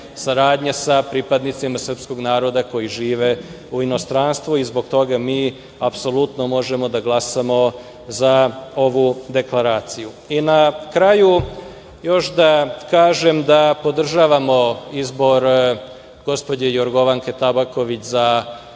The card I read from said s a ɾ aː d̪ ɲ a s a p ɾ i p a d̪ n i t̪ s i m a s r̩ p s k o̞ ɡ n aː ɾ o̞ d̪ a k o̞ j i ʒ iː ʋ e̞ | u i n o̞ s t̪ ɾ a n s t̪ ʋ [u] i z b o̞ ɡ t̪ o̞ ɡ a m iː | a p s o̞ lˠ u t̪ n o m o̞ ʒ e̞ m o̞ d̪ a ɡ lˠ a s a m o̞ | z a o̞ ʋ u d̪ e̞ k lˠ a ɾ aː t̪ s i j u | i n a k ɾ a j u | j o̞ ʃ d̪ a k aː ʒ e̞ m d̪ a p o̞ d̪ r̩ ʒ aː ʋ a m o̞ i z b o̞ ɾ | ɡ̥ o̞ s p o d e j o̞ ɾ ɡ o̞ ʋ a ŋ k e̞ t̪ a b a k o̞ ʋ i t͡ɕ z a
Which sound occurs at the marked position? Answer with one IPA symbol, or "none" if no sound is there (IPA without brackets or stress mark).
u